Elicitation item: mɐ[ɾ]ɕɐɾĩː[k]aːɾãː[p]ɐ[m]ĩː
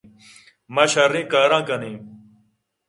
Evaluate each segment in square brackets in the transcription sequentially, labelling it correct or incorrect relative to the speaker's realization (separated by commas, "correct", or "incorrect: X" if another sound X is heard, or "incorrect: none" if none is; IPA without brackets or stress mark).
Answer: incorrect: none, correct, incorrect: k, incorrect: n